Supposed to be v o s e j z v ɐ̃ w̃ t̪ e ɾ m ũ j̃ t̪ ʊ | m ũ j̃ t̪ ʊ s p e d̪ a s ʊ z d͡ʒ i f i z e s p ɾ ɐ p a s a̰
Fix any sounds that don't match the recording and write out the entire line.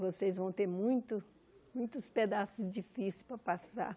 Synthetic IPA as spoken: v o s e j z v ɐ̃ w̃ t̪ e ɾ m ũ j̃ t̪ ʊ | m ũ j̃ t̪ ʊ s p e d̪ a s ʊ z d͡ʒ i f i s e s p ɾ ɐ p a s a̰